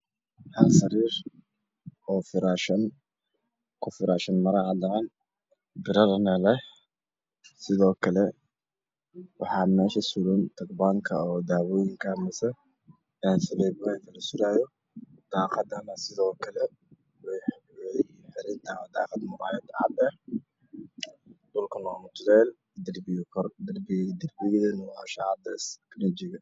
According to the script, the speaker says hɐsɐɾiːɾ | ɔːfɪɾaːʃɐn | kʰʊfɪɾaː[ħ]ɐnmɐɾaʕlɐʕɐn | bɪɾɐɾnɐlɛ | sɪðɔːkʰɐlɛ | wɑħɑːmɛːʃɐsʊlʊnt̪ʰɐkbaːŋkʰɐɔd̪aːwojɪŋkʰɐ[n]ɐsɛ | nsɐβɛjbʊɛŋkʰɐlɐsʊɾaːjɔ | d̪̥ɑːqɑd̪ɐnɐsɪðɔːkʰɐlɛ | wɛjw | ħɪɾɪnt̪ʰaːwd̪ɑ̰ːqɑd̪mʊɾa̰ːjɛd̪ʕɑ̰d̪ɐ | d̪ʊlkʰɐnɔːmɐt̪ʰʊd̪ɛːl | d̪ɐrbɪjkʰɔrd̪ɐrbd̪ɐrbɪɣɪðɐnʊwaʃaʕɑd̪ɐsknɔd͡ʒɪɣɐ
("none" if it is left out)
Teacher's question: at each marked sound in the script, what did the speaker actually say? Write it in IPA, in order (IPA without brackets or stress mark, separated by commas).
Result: ʃ, m